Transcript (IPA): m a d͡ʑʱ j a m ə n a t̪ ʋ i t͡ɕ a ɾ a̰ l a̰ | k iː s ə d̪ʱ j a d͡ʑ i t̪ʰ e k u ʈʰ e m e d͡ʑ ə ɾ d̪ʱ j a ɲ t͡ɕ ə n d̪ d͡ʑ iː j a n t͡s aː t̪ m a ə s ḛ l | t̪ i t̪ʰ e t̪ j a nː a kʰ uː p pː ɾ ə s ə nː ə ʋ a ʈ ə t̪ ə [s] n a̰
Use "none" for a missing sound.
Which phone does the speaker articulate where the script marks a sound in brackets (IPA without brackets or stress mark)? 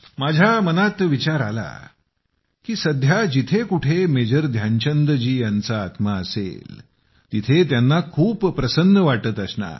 s